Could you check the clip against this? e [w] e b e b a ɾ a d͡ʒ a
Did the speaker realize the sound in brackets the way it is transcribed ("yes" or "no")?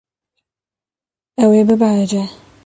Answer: yes